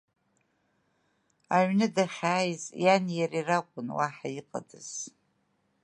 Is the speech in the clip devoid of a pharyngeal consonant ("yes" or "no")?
no